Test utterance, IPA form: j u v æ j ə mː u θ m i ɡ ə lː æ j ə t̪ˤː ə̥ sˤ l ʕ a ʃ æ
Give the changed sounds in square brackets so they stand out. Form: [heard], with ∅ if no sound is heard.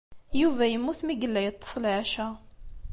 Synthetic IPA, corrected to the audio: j u v æ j ə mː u θ m i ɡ ə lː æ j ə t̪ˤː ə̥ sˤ l ʕ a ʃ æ